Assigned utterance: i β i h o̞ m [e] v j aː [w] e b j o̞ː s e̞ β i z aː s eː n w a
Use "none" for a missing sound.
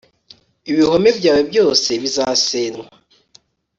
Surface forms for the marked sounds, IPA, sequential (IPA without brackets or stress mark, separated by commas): e, w